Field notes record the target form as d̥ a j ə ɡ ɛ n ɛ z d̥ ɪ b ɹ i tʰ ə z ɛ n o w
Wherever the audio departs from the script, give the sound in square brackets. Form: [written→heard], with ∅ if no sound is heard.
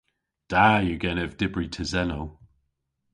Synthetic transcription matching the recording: d̥ a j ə ɡ ɛ n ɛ [z→v] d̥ ɪ b ɹ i tʰ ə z ɛ n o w

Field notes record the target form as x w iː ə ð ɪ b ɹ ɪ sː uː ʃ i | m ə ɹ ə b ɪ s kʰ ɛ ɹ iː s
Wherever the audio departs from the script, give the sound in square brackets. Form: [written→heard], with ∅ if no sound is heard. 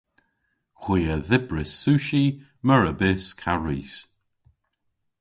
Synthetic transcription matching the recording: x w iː ə ð ɪ b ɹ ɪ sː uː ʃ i | m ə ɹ ə b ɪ s kʰ [ɛ→a] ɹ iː s

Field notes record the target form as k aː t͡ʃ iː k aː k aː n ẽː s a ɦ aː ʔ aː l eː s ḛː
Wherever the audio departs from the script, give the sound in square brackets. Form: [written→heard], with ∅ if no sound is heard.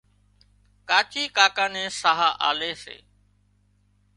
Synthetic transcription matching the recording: k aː t͡ʃ iː k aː k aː n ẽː s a ɦ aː ʔ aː l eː s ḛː

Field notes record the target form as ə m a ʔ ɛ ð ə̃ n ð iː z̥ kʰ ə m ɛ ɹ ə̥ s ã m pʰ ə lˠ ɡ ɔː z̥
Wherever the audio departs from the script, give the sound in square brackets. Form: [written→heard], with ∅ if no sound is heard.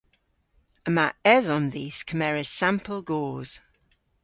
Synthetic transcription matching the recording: ə m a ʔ ɛ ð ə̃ n ð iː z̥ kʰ ə m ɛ ɹ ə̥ s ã m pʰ ə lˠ ɡ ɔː z̥

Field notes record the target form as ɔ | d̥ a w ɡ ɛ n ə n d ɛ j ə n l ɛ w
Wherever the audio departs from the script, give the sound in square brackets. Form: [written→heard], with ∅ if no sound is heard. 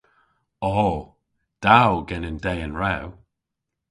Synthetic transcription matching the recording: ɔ | d̥ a w ɡ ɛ n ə n d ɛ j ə n [l→ɹ] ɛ w

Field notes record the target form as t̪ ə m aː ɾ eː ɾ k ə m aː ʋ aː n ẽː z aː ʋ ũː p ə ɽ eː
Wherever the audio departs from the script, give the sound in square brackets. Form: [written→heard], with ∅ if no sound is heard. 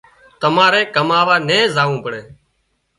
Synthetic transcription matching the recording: t̪ ə m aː ɾ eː [ɾ→∅] k ə m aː ʋ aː n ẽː z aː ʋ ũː p ə ɽ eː

